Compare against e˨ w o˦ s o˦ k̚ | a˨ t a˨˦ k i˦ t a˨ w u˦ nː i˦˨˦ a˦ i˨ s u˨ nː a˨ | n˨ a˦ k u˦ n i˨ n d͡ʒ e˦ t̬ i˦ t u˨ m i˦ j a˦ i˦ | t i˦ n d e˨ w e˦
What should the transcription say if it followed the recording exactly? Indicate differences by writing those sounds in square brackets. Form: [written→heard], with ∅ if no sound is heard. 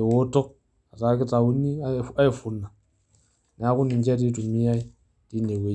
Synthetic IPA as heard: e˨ w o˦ [s→t] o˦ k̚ | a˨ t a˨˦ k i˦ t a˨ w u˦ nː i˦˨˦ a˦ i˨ [s→f] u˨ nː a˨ | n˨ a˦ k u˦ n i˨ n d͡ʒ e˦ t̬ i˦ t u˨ m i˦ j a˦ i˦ | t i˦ n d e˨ w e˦